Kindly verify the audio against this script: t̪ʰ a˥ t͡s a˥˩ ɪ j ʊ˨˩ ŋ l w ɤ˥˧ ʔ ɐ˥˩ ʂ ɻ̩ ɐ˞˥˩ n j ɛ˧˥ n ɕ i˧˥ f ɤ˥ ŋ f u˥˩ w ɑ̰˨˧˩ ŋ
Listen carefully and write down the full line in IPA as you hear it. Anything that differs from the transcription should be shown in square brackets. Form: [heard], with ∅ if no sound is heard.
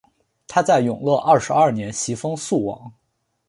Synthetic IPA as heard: t̪ʰ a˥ t͡s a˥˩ ɪ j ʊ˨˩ ŋ l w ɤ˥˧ ʔ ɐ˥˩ ʂ ɻ̩ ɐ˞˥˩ n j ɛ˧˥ n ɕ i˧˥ f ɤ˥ ŋ [s] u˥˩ w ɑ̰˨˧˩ ŋ